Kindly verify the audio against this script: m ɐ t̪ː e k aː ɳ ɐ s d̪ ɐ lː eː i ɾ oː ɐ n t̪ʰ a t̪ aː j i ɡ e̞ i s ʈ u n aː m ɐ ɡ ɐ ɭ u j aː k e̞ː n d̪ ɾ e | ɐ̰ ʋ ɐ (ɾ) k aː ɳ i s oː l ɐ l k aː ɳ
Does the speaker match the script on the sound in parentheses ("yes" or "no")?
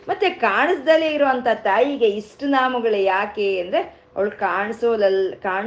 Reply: no